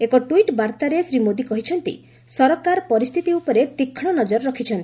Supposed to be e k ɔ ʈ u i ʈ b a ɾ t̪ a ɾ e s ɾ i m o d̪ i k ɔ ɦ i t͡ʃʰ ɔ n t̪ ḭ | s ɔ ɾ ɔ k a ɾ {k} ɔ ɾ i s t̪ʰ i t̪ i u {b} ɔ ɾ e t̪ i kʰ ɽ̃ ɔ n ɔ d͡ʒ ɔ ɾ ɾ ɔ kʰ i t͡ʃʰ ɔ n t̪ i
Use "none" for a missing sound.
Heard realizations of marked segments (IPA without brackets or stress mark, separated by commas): p, p